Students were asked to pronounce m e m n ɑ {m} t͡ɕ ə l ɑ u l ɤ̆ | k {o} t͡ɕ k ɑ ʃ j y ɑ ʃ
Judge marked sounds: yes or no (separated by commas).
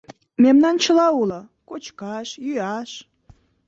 no, yes